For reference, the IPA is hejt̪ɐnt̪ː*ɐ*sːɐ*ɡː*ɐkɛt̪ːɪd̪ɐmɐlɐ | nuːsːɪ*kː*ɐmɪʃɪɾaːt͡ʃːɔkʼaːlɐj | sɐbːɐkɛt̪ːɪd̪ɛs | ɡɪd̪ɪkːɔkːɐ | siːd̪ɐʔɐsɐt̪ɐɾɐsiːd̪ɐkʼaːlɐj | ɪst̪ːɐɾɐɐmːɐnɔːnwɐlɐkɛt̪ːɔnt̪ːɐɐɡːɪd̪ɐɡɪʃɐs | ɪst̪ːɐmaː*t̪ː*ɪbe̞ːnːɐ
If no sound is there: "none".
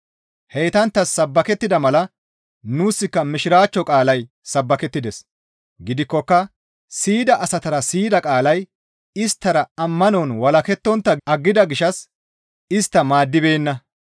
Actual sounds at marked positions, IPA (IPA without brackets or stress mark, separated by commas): ɐ, bː, kː, d̪ː